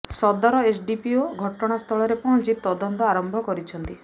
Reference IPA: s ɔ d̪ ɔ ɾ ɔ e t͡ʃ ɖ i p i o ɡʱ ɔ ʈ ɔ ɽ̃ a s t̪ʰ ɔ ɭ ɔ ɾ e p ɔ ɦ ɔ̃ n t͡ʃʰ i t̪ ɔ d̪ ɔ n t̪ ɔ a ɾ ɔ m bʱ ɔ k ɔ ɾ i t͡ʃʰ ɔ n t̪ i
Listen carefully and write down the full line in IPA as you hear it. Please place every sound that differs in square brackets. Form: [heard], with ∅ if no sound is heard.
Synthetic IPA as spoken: s ɔ d̪ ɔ ɾ ɔ e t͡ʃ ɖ i p i o ɡʱ ɔ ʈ ɔ ɽ̃ a s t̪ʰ ɔ ɭ ɔ ɾ e p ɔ ɦ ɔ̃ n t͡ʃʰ i t̪ ɔ d̪ ɔ n t̪ ɔ a ɾ ɔ m bʱ ɔ k ɔ ɾ i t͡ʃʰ ɔ n t̪ i